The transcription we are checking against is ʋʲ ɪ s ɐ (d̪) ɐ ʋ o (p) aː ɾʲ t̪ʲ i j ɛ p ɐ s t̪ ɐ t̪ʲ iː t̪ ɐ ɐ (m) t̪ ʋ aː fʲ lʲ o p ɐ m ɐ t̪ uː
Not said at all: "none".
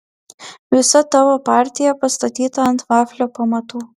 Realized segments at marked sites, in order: t̪, p, n

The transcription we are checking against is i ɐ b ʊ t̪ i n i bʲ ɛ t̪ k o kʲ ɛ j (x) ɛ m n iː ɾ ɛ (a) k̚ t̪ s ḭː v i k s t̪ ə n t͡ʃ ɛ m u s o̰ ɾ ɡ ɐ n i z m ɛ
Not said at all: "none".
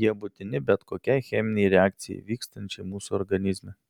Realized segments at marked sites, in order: x, a

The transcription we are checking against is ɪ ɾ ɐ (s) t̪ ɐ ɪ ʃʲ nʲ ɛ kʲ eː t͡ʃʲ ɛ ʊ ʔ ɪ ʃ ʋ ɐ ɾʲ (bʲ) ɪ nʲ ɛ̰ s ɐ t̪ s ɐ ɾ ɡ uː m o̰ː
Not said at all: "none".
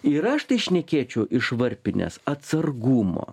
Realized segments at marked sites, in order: ʃ, pʲ

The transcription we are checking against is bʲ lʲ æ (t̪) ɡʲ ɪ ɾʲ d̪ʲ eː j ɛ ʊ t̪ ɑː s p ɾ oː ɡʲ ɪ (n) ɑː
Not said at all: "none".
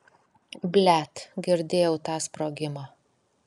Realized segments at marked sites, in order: t̪, m

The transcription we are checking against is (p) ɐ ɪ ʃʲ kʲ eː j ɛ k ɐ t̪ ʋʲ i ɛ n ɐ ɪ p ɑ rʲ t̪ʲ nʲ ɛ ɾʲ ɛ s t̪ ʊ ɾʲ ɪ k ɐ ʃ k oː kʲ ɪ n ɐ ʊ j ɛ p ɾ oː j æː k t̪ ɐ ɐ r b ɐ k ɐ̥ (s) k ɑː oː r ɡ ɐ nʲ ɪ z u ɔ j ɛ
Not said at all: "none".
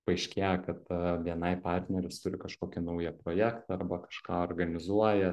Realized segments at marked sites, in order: p, ʃ

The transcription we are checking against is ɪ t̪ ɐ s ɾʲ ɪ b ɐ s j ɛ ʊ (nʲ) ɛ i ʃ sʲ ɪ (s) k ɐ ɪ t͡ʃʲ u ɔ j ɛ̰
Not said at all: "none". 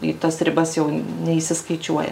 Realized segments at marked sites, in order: nʲ, s

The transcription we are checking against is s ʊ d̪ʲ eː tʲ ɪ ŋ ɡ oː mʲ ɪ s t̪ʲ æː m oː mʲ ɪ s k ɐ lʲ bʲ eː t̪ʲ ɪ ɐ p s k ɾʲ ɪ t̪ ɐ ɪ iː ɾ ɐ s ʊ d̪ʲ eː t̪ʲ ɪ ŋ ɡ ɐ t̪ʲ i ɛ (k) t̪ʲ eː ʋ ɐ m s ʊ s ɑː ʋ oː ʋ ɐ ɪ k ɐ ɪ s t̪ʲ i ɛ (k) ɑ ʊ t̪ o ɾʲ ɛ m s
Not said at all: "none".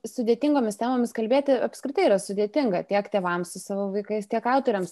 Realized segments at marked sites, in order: k, k

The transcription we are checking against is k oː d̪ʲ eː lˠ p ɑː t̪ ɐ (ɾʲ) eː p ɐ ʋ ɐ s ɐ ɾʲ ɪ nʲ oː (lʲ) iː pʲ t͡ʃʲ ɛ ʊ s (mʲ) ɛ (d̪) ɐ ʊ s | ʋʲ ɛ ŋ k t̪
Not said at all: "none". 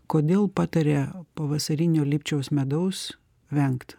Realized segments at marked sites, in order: ɾʲ, lʲ, mʲ, d̪

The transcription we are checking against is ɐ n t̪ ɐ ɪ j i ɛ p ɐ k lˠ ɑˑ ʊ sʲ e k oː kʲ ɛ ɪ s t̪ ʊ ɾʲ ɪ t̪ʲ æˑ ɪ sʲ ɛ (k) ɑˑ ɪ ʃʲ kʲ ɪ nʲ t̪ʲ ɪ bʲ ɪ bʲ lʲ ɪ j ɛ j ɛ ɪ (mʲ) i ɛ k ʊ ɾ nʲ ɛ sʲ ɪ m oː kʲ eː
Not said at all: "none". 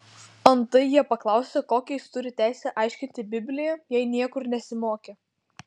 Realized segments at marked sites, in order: ʔ, nʲ

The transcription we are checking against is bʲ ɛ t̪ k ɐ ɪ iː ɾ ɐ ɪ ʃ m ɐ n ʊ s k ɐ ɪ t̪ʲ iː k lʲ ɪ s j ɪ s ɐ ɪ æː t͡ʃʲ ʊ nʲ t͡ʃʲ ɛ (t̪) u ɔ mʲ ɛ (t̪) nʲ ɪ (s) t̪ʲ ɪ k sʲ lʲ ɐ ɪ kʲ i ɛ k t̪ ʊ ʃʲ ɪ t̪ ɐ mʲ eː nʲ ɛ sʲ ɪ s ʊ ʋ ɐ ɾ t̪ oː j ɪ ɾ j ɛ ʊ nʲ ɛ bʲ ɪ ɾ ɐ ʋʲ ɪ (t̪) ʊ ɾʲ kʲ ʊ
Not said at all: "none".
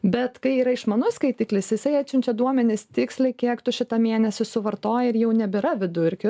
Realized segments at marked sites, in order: d̪, none, s, d̪

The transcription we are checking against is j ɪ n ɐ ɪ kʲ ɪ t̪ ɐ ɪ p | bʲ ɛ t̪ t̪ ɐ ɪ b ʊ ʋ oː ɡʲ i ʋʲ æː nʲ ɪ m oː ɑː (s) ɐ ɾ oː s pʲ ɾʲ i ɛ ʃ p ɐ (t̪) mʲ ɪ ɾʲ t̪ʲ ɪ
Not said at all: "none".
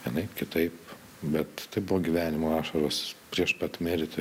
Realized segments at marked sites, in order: ʃ, t̪

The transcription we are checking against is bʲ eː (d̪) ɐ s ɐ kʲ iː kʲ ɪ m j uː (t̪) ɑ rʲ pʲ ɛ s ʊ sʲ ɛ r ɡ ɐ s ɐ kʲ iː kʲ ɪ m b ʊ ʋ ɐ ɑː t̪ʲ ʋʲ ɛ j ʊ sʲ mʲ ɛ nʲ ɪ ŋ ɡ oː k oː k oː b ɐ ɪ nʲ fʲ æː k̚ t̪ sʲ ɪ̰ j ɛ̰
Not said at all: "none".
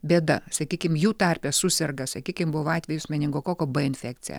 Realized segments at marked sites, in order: d̪, t̪

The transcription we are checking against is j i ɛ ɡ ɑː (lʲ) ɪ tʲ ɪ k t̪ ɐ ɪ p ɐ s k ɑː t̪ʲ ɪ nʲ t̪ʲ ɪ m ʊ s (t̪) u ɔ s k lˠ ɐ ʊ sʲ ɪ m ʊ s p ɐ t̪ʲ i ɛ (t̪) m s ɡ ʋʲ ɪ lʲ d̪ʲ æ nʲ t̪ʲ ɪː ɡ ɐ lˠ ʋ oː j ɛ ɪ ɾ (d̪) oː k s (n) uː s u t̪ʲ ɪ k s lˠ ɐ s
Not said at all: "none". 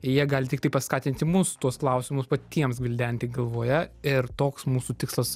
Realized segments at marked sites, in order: lʲ, t̪, none, t̪, m

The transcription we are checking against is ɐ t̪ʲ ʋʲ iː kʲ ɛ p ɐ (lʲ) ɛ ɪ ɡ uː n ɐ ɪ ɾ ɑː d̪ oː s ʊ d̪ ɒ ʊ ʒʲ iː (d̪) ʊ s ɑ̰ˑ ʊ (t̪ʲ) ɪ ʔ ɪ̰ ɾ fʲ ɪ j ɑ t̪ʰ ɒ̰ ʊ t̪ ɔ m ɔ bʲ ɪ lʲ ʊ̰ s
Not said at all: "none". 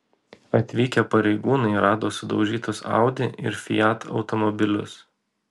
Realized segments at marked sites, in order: ɾʲ, t̪, d̪ʲ

